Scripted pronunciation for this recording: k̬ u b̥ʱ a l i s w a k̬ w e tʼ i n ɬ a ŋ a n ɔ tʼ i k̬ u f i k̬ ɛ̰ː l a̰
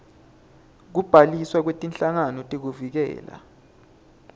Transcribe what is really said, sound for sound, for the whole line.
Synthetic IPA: k̬ u b̥ʱ a l i s w a k̬ w e tʼ i n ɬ a ŋ a n ɔ tʼ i k̬ u v i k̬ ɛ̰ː l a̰